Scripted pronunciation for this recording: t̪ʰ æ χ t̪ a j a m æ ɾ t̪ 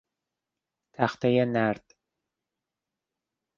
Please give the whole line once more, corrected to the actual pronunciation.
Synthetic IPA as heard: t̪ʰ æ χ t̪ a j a n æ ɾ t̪